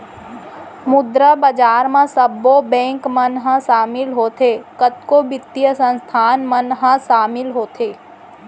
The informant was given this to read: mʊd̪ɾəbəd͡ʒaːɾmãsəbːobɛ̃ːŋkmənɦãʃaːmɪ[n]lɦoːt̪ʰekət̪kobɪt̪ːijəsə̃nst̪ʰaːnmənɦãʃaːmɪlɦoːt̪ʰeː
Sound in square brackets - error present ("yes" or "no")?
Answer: yes